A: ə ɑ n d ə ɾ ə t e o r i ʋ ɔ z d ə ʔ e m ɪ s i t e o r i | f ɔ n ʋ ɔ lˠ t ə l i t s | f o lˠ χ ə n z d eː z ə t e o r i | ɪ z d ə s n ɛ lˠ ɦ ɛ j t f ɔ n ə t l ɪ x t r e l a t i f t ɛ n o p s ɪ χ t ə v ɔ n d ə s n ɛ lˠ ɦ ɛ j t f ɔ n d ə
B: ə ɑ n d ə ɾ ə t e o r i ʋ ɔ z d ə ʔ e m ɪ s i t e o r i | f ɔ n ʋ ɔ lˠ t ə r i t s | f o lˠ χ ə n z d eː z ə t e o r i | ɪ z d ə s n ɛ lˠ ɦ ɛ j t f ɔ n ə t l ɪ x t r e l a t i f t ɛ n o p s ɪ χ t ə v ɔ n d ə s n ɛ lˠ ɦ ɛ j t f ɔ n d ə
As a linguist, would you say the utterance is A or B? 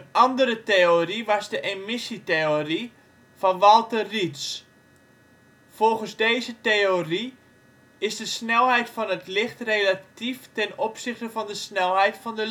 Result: B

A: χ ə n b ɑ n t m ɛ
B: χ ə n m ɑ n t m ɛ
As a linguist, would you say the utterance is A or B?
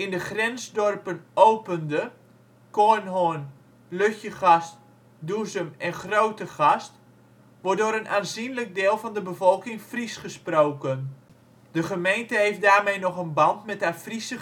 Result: A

